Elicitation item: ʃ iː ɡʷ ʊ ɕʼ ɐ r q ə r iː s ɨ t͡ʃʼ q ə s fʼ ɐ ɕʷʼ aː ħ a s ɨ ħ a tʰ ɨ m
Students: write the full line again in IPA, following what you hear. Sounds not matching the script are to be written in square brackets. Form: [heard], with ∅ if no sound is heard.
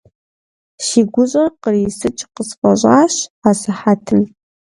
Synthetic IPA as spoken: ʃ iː ɡʷ ʊ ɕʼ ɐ r q ə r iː s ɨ t͡ʃʼ q ə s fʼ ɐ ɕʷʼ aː [ɕ] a s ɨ ħ a tʰ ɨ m